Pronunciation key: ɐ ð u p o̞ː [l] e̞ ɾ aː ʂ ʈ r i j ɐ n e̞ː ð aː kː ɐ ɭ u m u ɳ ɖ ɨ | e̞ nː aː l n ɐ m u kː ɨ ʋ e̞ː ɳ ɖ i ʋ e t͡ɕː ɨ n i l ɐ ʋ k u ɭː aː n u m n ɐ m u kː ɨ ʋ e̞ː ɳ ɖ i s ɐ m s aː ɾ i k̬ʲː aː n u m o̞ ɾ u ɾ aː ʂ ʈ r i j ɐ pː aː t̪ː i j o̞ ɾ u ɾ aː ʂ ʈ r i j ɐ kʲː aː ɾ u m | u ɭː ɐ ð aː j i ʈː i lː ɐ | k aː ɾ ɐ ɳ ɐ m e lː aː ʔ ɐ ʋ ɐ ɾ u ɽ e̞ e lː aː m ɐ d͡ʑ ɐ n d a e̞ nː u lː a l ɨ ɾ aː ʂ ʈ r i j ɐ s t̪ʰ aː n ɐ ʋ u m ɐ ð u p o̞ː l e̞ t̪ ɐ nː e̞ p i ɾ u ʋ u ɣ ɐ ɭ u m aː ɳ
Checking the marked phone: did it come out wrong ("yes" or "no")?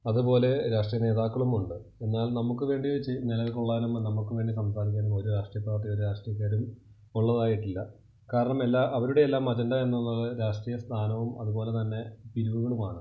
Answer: no